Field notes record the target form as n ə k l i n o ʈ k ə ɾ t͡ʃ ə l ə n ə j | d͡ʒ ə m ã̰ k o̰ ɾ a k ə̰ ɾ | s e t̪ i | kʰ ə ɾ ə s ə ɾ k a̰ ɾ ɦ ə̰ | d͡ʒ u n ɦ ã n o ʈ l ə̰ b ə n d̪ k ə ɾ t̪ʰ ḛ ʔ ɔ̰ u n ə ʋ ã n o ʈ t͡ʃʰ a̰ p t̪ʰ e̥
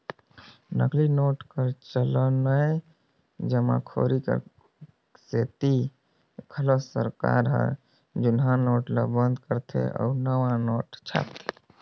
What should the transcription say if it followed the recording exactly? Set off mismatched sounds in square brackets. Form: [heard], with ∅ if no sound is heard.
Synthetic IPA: n ə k l i n o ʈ k ə ɾ t͡ʃ ə l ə n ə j | d͡ʒ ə m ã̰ [kʰ] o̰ ɾ [i] k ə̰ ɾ | s e t̪ i | kʰ ə [l] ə s ə ɾ k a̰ ɾ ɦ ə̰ | d͡ʒ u n ɦ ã n o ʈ l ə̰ b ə n d̪ k ə ɾ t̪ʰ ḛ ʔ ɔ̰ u n ə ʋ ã n o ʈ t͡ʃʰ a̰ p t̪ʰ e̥